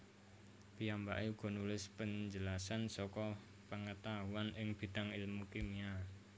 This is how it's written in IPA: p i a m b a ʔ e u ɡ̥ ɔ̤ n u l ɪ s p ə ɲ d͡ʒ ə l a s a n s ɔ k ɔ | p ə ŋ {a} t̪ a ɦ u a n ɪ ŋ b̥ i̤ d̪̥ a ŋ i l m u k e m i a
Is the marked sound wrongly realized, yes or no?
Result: yes